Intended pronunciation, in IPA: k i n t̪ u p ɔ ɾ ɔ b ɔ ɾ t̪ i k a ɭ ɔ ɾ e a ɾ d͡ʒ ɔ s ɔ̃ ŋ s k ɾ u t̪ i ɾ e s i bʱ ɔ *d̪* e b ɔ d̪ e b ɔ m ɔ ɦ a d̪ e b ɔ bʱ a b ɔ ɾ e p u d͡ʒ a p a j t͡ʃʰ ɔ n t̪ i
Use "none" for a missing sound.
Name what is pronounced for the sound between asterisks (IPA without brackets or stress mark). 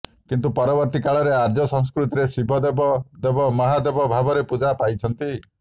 d̪